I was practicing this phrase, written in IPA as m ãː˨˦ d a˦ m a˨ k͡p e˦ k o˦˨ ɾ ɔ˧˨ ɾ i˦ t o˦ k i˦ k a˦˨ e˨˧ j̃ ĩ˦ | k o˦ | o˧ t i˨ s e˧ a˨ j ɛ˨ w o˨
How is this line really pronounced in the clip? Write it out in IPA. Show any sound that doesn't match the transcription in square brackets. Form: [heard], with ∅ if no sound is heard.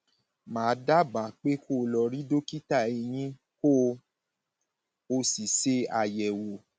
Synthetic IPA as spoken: m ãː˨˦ d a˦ [b] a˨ k͡p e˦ k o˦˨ [l] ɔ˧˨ ɾ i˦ [d] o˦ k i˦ [t] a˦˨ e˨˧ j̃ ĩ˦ | k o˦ | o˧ [s] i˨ s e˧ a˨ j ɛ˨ w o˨

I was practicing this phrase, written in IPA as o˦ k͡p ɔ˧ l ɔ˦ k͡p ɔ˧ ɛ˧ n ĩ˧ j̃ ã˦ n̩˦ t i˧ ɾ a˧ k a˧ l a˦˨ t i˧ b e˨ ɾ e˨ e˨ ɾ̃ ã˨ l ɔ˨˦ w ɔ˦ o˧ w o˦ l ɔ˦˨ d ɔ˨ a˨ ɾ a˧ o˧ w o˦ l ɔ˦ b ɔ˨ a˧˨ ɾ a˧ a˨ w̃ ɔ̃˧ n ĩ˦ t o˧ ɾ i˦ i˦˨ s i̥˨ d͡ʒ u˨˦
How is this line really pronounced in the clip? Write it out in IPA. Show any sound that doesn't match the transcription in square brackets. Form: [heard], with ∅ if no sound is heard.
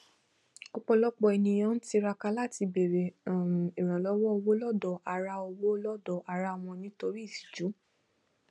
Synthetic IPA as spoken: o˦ k͡p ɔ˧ l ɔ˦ k͡p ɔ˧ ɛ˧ n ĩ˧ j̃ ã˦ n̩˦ t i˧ ɾ a˧ k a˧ l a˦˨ t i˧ b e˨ ɾ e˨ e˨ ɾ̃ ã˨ l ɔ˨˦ w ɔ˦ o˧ w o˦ l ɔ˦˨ d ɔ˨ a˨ ɾ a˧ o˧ w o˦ l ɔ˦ [d] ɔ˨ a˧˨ ɾ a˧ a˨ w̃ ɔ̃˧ n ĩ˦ t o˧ ɾ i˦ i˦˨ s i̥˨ d͡ʒ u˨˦

